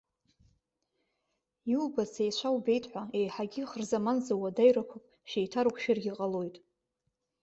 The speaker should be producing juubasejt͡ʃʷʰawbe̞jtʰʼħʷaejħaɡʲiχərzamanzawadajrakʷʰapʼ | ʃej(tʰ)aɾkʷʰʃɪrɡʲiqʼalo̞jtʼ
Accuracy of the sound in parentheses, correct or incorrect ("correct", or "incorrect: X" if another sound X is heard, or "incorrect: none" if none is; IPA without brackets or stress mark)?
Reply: correct